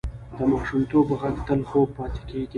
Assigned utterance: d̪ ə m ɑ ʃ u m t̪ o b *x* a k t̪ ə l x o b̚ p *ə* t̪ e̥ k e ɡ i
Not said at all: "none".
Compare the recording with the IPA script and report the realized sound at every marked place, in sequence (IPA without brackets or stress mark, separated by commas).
ɣ, ɑ